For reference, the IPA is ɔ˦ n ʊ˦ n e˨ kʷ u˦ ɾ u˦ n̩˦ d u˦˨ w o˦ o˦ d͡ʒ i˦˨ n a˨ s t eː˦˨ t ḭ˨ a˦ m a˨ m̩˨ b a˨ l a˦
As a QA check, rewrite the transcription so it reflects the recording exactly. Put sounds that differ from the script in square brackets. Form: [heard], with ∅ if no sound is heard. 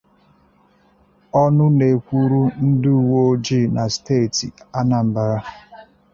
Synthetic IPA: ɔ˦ n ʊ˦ n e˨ kʷ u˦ ɾ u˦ n̩˦ d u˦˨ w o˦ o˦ d͡ʒ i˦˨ n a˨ s t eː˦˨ t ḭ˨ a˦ [n] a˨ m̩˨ b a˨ [ɾ] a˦